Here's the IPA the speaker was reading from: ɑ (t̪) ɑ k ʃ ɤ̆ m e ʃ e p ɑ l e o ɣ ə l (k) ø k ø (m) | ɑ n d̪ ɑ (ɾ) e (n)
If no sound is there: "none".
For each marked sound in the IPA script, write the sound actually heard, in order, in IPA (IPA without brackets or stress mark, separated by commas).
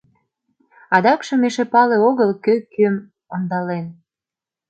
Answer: d̪, k, m, l, n